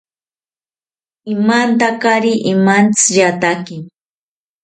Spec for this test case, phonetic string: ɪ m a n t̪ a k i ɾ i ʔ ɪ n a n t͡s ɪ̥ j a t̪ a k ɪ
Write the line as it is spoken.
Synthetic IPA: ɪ m a n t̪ a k a ɾ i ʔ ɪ m a n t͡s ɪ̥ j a t̪ a k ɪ